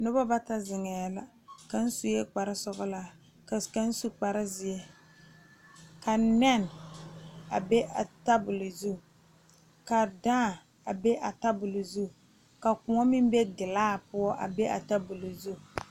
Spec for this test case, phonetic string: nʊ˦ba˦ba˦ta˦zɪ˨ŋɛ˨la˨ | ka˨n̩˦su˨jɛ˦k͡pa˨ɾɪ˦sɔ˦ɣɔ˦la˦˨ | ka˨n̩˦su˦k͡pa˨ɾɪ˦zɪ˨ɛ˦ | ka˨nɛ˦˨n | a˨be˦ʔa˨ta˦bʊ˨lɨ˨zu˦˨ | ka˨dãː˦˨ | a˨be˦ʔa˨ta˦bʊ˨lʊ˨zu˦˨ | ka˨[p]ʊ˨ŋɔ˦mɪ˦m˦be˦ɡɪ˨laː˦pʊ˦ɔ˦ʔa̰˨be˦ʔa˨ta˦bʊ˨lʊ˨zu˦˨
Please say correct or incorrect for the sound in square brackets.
incorrect